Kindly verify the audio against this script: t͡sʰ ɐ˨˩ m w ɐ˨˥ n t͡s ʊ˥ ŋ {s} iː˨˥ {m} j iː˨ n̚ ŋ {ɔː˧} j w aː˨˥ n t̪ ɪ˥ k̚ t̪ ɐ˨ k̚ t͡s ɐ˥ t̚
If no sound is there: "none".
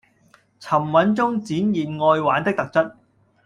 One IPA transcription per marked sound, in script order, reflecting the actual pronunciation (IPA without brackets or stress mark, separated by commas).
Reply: t͡s, n, ɔː˧